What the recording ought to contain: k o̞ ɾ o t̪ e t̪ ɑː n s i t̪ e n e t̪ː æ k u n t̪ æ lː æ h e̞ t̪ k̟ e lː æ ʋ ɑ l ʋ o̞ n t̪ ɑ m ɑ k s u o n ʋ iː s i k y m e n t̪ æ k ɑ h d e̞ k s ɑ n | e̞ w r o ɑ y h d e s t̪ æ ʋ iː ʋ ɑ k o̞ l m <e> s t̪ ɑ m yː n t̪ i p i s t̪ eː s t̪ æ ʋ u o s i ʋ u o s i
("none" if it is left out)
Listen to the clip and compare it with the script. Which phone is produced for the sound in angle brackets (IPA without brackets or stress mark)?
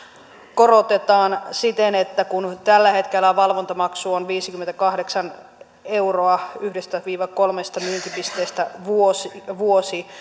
e